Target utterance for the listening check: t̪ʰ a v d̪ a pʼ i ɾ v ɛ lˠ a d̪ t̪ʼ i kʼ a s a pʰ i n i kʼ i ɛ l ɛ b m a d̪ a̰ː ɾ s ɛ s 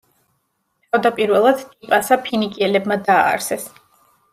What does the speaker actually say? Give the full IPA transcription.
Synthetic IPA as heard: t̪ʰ a v d̪ a pʼ i ɾ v ɛ lˠ a d̪ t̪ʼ i pʼ a s a pʰ i n i kʼ i ɛ l ɛ b m a d̪ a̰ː ɾ s ɛ s